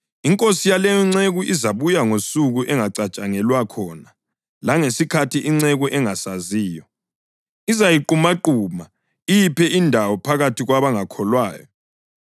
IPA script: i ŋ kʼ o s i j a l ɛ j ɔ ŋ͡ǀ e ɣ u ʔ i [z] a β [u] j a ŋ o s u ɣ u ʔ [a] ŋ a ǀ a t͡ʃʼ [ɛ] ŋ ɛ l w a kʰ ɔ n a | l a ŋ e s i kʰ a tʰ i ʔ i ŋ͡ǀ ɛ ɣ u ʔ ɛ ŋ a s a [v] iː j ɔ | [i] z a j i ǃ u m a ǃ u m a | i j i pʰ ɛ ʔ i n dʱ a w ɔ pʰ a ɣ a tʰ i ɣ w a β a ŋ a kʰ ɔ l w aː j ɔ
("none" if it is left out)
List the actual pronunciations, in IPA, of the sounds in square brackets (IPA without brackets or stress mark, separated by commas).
z, u, ɛ, a, z, i